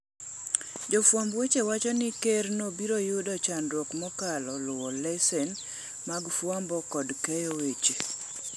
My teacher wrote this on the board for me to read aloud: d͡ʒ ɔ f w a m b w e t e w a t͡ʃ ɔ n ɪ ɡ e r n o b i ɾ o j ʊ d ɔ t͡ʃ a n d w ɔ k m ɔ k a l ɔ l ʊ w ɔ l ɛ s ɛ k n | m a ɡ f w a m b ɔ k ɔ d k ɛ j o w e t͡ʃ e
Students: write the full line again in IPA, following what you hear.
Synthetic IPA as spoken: d͡ʒ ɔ f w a m b w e t͡ʃ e w a t͡ʃ ɔ n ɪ k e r n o b i ɾ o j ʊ d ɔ t͡ʃ a n d w ɔ k m ɔ k a l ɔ l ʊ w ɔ l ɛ s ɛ n | m a ɡ f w a m b ɔ k ɔ d k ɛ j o w e t͡ʃ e